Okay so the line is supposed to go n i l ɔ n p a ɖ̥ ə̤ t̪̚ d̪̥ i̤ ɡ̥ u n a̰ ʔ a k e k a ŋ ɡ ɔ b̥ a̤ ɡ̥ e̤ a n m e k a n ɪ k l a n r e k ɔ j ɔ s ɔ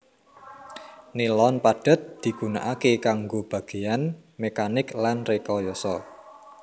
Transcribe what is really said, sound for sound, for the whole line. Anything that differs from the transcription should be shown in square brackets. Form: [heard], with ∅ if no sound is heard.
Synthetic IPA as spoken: n i l ɔ n p a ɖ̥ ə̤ t̪̚ d̪̥ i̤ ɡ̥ u n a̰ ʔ a k e k a ŋ ɡ [o] b̥ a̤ ɡ̥ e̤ a n m e k a n ɪ k l a n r e k ɔ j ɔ s ɔ